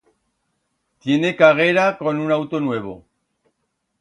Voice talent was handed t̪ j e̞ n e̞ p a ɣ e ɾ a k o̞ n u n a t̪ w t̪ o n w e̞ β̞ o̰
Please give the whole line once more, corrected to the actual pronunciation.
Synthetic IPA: t̪ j e̞ n e̞ k a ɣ e ɾ a k o̞ n u n a w t̪ o n w e̞ β̞ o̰